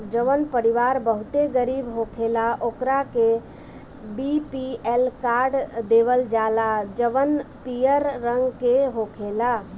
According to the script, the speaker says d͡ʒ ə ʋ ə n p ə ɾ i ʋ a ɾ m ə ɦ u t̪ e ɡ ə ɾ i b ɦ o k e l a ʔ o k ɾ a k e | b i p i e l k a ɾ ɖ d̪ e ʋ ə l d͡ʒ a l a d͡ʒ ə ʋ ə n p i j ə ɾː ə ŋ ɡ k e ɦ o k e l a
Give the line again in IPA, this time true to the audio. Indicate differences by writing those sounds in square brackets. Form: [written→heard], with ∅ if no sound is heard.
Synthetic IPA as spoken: d͡ʒ ə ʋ ə n p ə ɾ i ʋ a ɾ [m→b] ə ɦ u t̪ e ɡ ə ɾ i b ɦ o [k→kʰ] e l a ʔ o k ɾ a k e | b i p i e l k a ɾ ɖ d̪ e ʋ ə l d͡ʒ a l a d͡ʒ ə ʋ ə n p i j ə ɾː ə ŋ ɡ k e ɦ o [k→kʰ] e l a